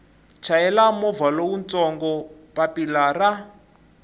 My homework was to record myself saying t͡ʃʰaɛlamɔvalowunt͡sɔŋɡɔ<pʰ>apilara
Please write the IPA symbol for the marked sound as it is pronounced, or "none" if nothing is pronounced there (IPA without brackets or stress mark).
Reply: p